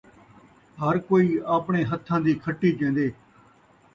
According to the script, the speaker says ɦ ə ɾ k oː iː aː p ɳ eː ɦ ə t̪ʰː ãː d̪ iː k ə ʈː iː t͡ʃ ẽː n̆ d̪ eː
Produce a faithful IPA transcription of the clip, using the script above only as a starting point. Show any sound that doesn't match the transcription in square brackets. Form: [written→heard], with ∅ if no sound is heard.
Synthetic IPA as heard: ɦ ə ɾ k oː iː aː p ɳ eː ɦ ə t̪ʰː ãː d̪ iː [k→kʰ] ə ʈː iː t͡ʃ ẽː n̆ d̪ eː